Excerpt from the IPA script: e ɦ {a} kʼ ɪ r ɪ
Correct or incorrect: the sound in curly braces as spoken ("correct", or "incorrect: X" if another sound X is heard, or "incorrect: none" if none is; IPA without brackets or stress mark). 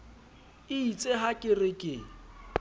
correct